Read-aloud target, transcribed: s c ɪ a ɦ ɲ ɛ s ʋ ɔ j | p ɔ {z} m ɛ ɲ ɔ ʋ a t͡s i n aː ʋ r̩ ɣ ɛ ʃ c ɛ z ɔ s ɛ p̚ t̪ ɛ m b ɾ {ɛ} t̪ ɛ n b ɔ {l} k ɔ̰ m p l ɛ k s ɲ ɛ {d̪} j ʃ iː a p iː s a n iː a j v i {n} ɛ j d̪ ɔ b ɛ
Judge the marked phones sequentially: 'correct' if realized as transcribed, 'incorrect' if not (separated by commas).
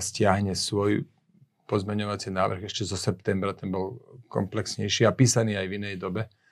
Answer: correct, incorrect, correct, incorrect, correct